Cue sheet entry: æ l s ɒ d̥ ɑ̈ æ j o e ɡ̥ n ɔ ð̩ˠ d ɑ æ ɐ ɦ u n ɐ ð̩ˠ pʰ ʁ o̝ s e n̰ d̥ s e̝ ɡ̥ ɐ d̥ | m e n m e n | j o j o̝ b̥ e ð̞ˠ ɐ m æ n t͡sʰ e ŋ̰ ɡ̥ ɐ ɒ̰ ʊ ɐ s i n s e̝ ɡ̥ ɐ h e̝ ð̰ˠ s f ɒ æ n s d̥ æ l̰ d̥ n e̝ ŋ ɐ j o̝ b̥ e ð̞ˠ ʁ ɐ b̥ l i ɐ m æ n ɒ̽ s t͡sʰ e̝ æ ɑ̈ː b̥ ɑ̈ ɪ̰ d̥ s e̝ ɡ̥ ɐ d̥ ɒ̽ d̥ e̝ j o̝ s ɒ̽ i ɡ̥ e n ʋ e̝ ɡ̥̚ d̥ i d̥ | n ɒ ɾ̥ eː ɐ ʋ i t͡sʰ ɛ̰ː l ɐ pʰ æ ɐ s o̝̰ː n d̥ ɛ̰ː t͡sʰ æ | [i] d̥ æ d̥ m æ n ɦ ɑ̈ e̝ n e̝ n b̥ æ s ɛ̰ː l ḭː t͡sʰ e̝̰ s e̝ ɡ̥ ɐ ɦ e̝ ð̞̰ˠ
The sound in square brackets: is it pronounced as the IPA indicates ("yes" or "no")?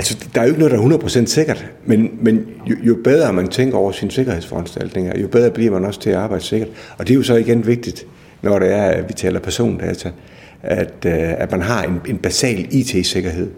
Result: no